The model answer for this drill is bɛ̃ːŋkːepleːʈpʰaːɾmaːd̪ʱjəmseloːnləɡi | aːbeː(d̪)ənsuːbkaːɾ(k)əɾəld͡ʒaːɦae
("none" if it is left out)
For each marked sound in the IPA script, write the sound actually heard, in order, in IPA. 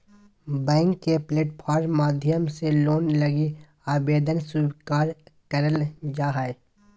d̪, k

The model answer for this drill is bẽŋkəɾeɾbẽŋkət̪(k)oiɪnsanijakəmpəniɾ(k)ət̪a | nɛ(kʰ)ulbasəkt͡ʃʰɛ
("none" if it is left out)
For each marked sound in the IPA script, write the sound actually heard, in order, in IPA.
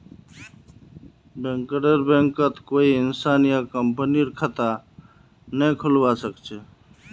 k, kʰ, kʰ

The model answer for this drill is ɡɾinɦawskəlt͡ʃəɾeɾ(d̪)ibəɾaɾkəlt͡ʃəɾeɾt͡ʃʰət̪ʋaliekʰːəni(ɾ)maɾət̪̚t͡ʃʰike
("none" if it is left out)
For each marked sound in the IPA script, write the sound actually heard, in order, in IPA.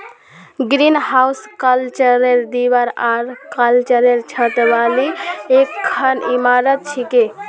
d̪, none

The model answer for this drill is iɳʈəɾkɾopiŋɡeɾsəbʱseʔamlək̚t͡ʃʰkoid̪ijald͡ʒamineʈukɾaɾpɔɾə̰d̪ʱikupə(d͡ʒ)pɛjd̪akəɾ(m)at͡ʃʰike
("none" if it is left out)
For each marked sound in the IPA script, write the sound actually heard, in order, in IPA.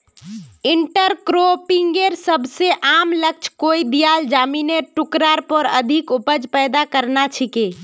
d͡ʒ, n

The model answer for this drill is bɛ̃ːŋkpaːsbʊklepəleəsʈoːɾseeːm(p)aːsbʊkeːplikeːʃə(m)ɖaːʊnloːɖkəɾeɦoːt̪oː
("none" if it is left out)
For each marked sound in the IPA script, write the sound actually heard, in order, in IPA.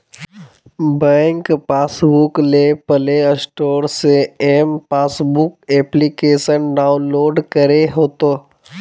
p, n

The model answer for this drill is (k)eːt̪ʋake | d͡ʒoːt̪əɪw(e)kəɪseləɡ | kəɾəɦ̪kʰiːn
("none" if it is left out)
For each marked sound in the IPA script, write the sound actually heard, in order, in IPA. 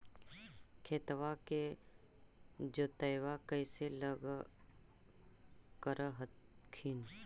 kʰ, a

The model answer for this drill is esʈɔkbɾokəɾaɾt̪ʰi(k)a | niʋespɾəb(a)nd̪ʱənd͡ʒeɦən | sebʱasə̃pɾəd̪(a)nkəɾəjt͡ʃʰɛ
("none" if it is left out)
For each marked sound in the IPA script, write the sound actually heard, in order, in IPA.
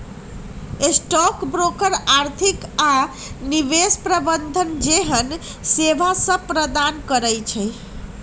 k, ə, a

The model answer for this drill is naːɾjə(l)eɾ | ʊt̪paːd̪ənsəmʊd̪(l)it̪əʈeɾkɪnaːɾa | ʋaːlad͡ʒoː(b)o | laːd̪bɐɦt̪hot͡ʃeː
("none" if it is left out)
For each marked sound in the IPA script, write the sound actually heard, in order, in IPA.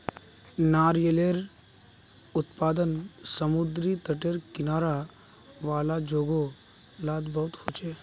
l, ɾ, ɡ

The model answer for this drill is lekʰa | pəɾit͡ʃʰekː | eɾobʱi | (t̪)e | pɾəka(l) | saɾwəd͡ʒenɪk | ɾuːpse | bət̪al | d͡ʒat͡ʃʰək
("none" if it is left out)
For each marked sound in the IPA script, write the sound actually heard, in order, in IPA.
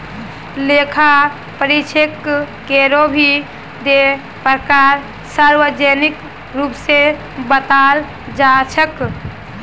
d̪, ɾ

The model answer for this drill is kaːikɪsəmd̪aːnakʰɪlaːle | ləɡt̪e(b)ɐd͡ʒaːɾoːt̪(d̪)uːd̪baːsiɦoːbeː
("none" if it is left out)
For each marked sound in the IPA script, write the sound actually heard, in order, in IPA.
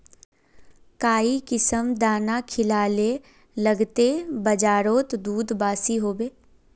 b, d̪

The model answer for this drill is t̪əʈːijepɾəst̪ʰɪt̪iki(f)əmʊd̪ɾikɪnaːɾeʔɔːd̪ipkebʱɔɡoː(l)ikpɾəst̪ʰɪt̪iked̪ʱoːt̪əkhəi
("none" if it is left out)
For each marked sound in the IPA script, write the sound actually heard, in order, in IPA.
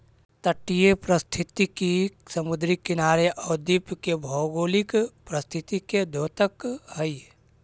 s, l

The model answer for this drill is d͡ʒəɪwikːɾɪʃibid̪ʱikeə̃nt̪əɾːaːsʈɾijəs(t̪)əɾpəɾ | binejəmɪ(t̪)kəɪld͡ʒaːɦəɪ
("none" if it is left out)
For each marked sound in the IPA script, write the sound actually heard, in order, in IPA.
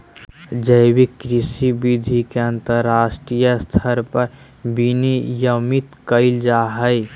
t̪ʰ, t̪

